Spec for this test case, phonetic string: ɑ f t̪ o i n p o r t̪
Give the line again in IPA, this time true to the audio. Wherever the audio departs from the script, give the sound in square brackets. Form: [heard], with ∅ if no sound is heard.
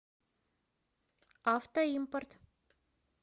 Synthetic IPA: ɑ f t̪ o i [m] p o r t̪